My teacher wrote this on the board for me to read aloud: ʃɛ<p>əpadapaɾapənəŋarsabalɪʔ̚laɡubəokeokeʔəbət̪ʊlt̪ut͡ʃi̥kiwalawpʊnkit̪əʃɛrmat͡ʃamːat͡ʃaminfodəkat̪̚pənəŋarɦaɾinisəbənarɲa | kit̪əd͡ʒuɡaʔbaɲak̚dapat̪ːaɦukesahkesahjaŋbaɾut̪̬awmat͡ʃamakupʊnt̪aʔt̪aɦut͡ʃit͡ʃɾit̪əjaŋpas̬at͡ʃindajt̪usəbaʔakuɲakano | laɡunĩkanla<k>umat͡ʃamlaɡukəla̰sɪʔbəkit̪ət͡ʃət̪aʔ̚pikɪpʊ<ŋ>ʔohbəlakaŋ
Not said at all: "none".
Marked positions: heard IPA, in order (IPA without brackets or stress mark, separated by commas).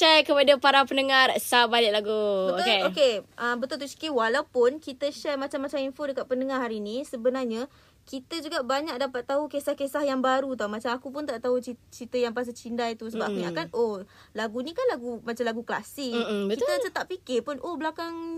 k, ɡ, n